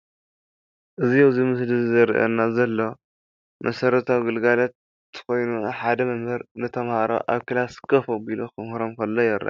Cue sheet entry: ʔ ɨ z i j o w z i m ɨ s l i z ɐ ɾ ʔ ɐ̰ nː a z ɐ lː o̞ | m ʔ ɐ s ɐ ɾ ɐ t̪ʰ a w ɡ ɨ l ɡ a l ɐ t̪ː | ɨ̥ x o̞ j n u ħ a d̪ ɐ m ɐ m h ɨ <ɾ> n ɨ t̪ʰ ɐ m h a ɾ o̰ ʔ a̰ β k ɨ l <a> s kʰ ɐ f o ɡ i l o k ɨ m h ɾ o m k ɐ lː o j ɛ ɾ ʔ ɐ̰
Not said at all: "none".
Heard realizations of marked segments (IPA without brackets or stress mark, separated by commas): ɾ, a